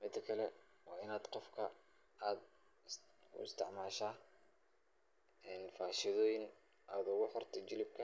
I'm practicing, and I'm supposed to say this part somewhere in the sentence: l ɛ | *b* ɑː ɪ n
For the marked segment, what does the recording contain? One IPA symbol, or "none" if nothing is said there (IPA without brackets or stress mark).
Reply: w